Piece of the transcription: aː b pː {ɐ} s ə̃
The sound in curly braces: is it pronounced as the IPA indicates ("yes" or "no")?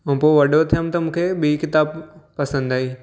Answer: yes